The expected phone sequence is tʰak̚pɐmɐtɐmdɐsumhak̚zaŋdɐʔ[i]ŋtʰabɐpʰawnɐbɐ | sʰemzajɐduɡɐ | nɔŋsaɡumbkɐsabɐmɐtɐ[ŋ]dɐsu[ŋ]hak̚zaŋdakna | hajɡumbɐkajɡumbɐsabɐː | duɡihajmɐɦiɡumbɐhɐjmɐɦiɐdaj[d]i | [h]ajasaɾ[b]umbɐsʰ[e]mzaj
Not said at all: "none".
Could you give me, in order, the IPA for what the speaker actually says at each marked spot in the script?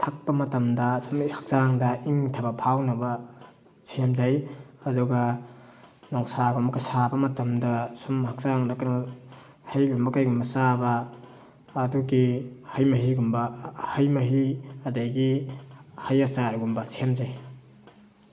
i, m, m, ɡ, h, ɡ, e

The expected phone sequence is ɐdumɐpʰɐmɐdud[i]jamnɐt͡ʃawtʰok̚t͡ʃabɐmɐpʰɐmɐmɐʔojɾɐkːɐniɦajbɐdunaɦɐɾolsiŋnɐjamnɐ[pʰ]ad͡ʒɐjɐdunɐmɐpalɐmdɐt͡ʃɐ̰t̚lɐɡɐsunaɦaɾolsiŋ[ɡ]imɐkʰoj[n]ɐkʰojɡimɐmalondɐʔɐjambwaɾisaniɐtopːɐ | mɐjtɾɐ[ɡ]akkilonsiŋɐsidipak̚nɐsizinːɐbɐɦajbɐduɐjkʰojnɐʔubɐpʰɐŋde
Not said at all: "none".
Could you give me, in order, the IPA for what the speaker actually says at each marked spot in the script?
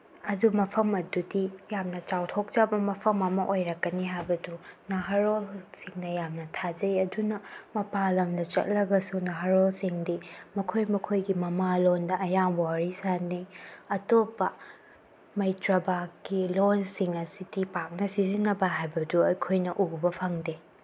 i, tʰ, d, m, b

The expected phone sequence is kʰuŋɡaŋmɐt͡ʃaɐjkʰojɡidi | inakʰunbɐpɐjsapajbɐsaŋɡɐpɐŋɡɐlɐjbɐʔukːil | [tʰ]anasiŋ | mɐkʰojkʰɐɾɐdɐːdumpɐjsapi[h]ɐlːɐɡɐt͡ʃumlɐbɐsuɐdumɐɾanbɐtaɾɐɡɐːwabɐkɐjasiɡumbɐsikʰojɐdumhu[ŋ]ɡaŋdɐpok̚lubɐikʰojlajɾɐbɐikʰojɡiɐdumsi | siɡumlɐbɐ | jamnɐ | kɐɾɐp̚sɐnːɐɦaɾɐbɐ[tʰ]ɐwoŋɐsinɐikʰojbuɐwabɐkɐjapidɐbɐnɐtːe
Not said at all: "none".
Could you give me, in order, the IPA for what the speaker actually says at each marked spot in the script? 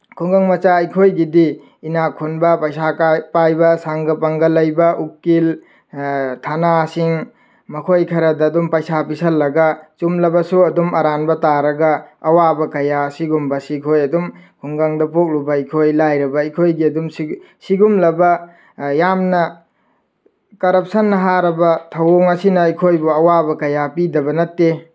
tʰ, s, ŋ, tʰ

